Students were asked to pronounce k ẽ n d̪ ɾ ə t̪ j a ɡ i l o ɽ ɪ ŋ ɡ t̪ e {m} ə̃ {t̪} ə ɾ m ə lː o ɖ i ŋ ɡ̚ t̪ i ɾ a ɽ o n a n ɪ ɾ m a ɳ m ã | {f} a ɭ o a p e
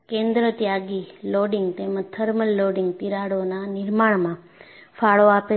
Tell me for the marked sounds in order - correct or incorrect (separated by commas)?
correct, incorrect, correct